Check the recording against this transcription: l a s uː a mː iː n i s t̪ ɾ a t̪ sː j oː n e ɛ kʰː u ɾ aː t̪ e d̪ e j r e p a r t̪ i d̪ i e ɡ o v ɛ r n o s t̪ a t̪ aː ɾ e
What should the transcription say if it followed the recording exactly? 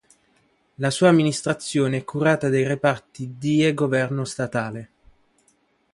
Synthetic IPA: l a s uː a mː i n i s t̪ ɾ a t̪ sː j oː n e ɛ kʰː u ɾ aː t̪ a d̪ e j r e p a r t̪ i d̪ i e ɡ o v ɛ r n o s t̪ a t̪ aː l e